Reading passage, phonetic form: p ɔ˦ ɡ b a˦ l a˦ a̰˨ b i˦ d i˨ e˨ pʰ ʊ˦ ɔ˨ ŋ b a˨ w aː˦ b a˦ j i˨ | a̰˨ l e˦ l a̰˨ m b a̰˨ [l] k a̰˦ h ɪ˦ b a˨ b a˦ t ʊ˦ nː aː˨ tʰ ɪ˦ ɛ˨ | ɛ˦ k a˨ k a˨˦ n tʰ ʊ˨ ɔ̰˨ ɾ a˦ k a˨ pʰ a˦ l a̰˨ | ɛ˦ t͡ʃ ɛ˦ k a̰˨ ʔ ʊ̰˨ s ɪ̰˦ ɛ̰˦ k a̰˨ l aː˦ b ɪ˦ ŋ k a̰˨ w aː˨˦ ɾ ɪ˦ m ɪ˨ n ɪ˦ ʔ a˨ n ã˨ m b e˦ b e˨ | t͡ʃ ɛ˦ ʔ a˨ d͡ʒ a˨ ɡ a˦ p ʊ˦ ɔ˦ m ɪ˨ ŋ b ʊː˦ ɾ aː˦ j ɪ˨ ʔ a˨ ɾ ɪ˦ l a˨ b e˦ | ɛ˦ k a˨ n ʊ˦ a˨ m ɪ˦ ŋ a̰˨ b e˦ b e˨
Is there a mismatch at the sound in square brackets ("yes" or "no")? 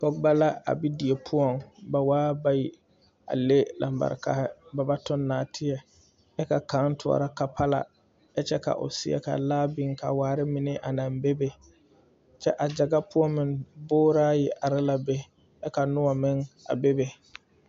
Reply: yes